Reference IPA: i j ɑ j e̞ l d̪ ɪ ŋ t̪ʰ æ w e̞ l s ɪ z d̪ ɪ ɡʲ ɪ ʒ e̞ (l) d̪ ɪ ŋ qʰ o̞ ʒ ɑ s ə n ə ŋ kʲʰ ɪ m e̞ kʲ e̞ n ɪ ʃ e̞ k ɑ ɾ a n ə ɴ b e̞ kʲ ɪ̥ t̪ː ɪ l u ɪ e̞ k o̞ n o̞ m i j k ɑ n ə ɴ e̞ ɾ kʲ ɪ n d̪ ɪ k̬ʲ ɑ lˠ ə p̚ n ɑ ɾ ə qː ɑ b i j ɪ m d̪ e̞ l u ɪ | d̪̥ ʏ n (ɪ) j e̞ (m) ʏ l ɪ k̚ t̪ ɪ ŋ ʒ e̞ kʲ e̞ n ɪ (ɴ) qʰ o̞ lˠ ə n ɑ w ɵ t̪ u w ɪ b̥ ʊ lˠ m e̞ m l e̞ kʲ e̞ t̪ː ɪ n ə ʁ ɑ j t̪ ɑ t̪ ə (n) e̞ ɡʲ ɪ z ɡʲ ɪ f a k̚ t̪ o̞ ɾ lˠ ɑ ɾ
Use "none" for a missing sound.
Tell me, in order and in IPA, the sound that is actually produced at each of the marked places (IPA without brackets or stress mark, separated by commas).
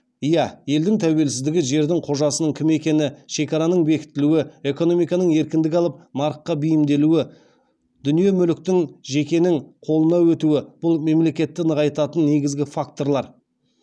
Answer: ɾ, i, m, ŋ, nː